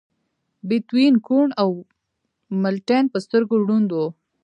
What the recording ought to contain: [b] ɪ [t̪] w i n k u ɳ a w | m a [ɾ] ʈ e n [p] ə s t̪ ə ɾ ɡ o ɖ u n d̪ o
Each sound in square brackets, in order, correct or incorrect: correct, correct, incorrect, correct

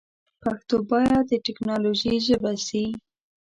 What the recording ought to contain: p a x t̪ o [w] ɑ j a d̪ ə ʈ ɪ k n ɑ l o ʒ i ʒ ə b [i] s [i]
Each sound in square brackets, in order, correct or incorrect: incorrect, incorrect, correct

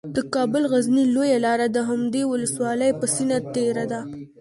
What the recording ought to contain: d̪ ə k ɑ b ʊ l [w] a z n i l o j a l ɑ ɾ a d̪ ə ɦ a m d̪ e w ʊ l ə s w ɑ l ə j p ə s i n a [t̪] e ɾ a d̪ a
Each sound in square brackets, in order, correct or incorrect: incorrect, correct

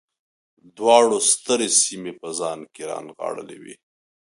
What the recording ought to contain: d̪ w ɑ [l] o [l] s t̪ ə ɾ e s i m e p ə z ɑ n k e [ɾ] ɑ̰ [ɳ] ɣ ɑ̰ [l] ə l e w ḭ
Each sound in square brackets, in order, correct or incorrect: incorrect, incorrect, correct, incorrect, incorrect

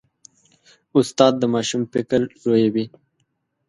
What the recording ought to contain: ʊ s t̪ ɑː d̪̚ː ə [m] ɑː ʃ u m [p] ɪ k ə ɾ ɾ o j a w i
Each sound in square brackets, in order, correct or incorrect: correct, correct

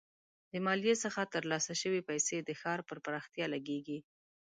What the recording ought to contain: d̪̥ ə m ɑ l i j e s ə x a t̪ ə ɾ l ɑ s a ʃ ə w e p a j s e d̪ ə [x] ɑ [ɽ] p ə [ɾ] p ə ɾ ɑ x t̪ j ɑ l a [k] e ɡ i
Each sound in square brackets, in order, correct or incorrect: correct, incorrect, correct, incorrect

